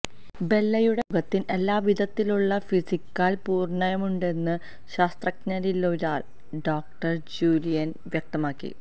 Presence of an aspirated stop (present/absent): absent